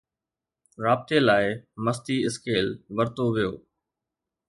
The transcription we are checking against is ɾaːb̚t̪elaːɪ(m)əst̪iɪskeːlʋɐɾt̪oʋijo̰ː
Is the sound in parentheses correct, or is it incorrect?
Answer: correct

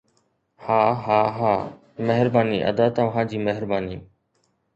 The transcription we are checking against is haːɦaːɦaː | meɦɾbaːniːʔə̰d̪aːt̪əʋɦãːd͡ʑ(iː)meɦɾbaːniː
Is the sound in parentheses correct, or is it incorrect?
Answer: correct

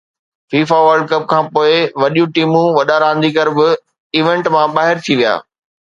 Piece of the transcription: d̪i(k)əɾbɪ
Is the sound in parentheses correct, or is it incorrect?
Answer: correct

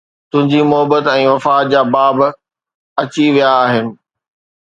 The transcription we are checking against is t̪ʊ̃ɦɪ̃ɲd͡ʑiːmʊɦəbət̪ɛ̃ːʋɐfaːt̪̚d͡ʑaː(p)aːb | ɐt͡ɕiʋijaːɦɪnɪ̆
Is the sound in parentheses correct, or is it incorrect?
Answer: incorrect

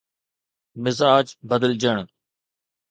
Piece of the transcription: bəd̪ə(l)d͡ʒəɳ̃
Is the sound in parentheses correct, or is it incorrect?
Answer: correct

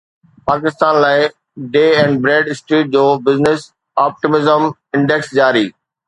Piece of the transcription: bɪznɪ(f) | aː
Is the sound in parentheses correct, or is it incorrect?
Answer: incorrect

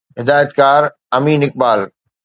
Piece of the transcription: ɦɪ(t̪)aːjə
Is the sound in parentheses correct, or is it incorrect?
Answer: incorrect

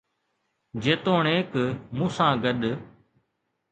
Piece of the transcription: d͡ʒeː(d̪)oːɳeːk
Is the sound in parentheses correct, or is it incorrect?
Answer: incorrect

